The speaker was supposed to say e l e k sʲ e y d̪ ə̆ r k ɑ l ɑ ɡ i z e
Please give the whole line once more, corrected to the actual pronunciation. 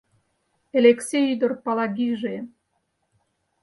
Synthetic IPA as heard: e l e k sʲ e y d̪ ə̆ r p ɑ l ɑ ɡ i ʒ e